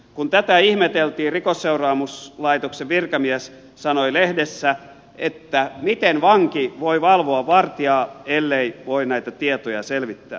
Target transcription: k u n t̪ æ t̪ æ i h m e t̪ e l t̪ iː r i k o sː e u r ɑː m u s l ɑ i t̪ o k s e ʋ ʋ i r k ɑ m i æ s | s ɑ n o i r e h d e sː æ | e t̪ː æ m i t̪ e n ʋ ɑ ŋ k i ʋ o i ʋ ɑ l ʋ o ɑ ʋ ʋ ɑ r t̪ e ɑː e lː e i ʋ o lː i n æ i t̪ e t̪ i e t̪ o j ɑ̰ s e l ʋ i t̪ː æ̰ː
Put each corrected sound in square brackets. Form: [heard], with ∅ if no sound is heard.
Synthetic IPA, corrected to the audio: k u n t̪ æ t̪ æ i h m e t̪ e l t̪ iː r i k o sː e u r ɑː m u s l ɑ i t̪ o k s e ʋ ʋ i r k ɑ m i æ s | s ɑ n o i [l] e h d e sː æ | e t̪ː æ m i t̪ e n ʋ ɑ ŋ k i ʋ o i ʋ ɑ l ʋ o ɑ ʋ ʋ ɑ r t̪ [i] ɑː e lː e i ʋ o [∅] i n æ i t̪ [æ] t̪ i e t̪ o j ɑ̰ s e l ʋ i t̪ː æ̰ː